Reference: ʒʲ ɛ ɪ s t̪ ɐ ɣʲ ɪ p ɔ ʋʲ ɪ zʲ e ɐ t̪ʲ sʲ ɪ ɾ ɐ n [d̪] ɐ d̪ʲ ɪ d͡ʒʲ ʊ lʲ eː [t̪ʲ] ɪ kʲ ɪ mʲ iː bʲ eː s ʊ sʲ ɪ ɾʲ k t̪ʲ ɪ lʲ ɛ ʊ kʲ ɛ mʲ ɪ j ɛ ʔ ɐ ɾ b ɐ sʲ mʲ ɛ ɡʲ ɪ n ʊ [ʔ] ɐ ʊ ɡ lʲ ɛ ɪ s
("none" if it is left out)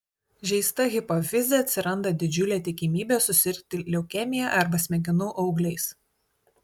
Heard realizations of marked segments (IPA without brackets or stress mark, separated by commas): d̪, t̪ʲ, ʔ